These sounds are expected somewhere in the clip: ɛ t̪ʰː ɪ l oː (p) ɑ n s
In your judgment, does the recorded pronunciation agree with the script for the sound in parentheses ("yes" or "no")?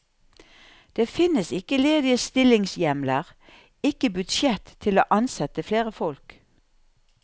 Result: no